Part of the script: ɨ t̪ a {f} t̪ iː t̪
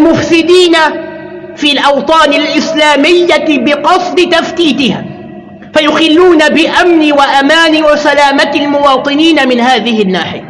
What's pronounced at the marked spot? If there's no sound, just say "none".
f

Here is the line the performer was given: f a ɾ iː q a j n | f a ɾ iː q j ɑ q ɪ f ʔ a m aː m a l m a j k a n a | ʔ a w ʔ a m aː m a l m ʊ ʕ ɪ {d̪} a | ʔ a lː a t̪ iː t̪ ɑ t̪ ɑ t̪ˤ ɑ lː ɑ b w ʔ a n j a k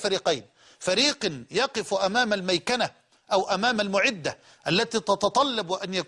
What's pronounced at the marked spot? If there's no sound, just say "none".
d̪ː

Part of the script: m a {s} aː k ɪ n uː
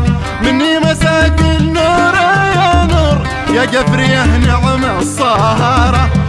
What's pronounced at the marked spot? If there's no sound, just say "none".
s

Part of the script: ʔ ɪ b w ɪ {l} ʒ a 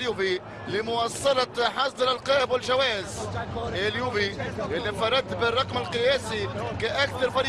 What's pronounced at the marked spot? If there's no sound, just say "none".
l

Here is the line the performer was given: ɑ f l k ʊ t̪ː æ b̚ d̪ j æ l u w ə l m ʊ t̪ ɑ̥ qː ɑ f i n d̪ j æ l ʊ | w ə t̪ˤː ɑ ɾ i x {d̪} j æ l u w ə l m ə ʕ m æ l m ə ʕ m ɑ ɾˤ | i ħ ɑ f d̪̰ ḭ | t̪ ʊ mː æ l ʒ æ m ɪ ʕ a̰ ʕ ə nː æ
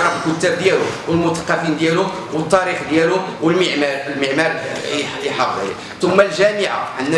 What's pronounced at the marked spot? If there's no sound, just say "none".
d̪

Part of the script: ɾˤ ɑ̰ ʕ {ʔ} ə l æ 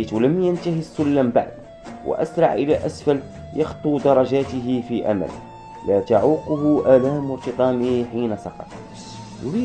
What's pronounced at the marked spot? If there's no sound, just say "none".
ʔ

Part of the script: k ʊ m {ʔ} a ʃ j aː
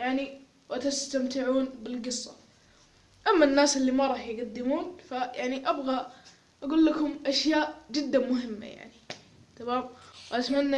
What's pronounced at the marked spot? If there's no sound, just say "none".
ʔ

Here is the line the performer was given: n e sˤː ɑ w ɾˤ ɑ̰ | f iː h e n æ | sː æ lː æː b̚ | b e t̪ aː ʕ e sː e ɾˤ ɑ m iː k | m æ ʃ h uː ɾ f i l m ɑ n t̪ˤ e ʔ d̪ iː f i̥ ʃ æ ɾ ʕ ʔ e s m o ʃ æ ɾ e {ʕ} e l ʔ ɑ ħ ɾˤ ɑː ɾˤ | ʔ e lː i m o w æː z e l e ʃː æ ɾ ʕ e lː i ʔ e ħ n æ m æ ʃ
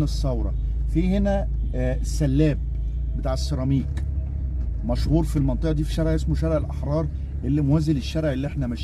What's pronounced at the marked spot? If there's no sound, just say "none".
ʕ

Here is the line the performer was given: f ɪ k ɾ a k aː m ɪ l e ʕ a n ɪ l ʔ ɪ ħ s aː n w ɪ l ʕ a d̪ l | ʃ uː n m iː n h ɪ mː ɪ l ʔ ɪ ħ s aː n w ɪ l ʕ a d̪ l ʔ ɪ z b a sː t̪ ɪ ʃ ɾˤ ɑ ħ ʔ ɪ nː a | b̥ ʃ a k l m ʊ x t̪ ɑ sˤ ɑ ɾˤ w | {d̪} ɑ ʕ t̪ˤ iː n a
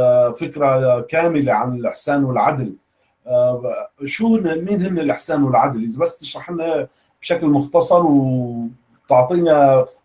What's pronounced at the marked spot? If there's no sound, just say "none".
t̪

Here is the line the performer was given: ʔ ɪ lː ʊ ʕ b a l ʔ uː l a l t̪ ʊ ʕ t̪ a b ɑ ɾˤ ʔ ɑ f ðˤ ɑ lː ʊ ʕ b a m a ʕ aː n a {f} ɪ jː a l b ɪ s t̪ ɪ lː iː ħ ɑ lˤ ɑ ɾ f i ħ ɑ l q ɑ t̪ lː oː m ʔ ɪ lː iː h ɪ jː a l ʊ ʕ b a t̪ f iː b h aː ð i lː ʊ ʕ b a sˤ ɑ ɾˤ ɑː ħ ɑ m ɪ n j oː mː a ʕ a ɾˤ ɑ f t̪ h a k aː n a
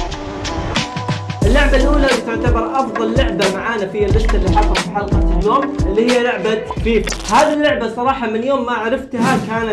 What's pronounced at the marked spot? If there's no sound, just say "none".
f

